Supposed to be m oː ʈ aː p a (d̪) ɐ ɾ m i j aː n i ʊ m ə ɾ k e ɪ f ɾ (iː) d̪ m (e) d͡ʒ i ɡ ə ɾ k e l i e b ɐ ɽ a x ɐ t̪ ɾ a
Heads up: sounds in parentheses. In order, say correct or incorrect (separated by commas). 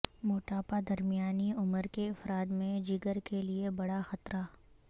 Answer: correct, incorrect, incorrect